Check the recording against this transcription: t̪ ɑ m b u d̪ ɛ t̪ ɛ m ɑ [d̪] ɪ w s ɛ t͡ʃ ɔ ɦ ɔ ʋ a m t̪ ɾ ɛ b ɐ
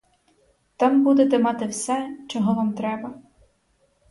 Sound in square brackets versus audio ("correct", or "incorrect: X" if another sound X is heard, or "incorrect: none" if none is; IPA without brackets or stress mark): incorrect: t̪